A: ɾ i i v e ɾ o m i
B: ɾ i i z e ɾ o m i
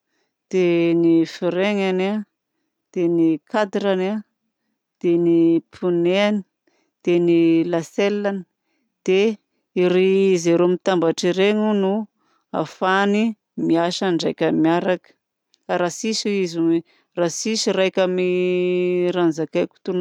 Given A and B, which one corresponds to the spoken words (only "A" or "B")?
B